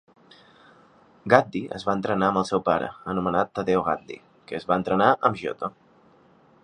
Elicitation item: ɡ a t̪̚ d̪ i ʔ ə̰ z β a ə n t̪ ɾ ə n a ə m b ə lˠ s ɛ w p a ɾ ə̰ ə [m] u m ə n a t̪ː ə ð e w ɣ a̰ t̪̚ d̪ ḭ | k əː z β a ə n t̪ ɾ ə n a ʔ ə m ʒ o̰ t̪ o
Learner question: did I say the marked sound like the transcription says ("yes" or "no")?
no